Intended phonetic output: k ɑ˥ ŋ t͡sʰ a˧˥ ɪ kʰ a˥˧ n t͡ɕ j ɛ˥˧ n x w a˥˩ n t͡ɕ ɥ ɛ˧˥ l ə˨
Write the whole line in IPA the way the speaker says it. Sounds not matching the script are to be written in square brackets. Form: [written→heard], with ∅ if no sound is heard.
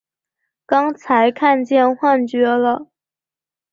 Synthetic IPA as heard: k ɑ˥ ŋ t͡sʰ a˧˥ ɪ kʰ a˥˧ n t͡ɕ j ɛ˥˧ n x w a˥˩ n t͡ɕ ɥ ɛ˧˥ l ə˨

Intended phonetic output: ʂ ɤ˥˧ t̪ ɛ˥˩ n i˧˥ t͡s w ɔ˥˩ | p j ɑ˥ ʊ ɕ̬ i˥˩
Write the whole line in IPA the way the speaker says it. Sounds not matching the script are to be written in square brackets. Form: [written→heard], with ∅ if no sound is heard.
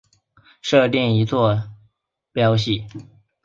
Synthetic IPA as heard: ʂ ɤ˥˧ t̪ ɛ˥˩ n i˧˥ t͡s w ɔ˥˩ | p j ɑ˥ ʊ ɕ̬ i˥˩

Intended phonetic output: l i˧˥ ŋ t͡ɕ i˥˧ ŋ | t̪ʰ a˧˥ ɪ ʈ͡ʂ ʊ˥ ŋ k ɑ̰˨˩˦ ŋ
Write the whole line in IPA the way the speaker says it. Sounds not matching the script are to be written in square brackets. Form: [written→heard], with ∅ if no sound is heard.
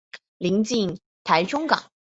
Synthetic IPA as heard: l i˧˥ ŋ t͡ɕ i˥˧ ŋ | t̪ʰ a˧˥ ɪ ʈ͡ʂ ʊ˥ ŋ k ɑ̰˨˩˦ ŋ

